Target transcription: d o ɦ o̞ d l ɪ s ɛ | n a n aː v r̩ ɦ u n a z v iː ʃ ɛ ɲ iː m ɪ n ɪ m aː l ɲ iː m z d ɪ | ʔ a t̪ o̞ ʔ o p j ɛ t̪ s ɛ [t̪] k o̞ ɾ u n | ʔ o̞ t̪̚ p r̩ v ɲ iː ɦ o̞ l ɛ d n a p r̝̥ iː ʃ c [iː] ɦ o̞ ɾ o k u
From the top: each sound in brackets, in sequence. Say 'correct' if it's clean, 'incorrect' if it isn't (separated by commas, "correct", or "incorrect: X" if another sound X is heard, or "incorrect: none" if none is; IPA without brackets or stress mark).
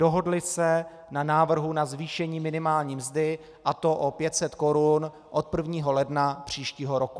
correct, correct